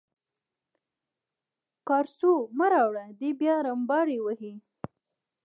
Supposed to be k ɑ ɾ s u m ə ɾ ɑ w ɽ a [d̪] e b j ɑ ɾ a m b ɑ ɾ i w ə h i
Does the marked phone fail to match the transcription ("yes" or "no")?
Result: no